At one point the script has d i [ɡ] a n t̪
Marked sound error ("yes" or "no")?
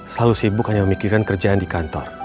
yes